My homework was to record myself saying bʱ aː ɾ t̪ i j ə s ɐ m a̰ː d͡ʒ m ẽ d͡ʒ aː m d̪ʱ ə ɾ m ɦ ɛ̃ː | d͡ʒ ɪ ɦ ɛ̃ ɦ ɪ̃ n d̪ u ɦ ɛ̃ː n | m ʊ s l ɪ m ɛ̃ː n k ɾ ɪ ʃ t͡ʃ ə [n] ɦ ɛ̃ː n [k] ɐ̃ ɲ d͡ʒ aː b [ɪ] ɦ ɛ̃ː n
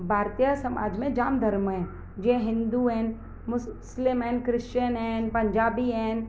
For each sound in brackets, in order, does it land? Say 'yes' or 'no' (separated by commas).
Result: yes, no, no